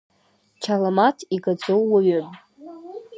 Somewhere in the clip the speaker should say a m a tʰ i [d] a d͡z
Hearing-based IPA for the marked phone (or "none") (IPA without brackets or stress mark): ɡ